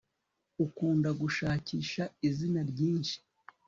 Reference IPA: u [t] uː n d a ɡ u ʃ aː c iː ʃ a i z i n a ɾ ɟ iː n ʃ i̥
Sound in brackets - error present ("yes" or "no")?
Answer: yes